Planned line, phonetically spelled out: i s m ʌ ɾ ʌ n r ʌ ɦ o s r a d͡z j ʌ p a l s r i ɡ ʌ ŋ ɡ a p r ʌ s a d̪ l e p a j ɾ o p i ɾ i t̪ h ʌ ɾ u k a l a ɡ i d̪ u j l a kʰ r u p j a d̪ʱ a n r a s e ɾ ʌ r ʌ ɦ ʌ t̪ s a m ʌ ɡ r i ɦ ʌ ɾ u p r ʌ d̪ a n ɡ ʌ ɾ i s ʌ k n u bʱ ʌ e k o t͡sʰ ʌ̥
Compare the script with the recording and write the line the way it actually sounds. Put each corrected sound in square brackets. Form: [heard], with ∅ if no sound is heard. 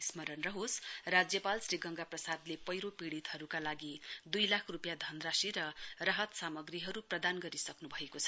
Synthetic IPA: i s m ʌ ɾ ʌ n r ʌ ɦ o s r a d͡z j ʌ p a l s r i ɡ ʌ ŋ ɡ a p r ʌ s a d̪ l e p [ʌ] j ɾ o p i [ɽ] i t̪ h ʌ ɾ u k a l a ɡ i d̪ u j l a kʰ r u p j a d̪ʱ [ʌ] n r a s [i] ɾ ʌ r ʌ ɦ ʌ t̪ s a m ʌ ɡ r i ɦ ʌ ɾ u p r ʌ d̪ a n ɡ ʌ ɾ i s ʌ k n u bʱ ʌ e k o t͡sʰ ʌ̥